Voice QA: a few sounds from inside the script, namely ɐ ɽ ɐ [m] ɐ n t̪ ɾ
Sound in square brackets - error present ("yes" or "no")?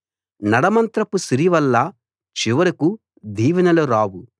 no